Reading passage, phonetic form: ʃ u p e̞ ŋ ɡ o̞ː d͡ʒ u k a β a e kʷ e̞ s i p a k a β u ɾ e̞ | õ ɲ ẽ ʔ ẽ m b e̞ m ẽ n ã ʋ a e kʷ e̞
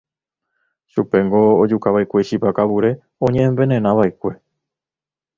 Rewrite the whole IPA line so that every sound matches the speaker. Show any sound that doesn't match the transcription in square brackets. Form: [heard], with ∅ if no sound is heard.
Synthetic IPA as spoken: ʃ u p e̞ ŋ ɡ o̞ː d͡ʒ u k a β a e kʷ e̞ [ʃ] i p a k a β u ɾ e̞ | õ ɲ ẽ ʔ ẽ m b e̞ [n] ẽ n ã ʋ a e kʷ e̞